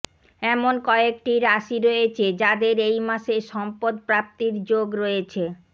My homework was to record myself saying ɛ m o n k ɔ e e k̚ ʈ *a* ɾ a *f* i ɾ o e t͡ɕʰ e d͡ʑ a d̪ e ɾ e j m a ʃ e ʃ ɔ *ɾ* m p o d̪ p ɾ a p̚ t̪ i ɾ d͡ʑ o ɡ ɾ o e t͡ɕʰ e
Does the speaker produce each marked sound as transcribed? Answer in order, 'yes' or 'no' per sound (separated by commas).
no, no, no